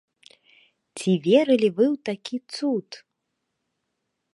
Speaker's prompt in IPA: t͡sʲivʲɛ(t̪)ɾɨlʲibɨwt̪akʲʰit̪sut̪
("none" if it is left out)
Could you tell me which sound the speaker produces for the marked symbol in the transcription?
none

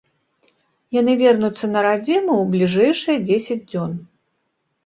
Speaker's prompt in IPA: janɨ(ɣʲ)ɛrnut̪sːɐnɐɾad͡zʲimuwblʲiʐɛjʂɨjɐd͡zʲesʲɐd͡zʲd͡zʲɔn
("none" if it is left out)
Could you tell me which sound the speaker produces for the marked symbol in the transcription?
vʲ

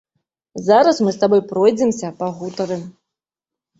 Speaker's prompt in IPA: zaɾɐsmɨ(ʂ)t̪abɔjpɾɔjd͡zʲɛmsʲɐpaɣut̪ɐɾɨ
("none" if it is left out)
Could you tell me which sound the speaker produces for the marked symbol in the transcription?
s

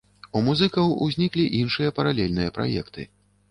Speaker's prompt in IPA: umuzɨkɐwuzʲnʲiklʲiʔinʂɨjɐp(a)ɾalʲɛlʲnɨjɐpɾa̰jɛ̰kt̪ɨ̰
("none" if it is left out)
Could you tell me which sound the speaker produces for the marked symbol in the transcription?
ɐ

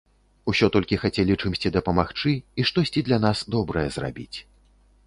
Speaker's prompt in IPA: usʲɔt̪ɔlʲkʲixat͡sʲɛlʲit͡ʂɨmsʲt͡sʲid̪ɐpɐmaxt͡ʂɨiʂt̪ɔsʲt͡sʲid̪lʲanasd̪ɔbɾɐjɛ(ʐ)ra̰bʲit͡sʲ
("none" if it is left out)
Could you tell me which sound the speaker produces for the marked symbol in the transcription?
z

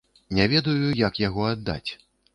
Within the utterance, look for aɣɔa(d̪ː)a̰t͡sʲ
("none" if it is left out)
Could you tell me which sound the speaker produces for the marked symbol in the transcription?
d̪ː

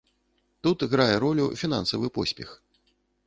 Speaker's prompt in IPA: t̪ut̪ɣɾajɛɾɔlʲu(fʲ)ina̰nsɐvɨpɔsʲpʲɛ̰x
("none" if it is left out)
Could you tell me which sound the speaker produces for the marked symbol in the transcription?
fʲ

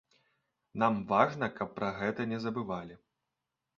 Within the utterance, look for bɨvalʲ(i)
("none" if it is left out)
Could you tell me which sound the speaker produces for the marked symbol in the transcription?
i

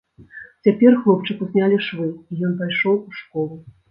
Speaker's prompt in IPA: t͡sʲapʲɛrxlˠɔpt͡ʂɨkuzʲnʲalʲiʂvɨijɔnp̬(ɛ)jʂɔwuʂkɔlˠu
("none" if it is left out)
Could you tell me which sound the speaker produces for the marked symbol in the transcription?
a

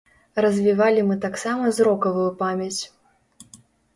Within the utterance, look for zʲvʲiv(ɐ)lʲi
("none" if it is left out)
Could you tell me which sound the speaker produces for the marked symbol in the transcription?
a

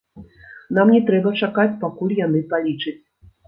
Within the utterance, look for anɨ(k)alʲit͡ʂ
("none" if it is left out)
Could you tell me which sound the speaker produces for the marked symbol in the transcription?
p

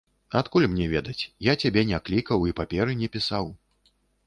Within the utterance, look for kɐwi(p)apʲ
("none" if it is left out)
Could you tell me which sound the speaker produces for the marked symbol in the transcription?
p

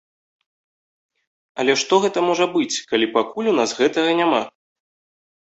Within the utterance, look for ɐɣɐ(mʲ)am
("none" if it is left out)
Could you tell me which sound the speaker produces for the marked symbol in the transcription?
nʲ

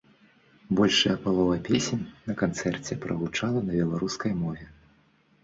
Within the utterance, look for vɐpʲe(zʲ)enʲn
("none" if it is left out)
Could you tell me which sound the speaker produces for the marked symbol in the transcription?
sʲ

